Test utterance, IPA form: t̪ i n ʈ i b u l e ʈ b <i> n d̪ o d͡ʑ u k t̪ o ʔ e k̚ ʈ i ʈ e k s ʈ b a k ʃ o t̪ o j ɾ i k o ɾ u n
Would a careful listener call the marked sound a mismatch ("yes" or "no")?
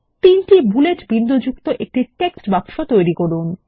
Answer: no